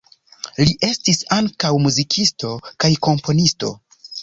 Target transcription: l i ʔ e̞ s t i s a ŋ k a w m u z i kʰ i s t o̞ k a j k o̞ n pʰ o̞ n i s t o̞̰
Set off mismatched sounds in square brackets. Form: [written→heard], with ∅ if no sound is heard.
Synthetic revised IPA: l i ʔ e̞ s t i s a ŋ k a w m u z i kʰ i s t o̞ k a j k o̞ [n→m] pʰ o̞ n i s t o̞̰